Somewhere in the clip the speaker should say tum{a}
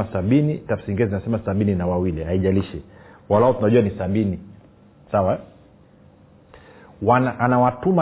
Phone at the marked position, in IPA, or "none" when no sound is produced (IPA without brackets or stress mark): a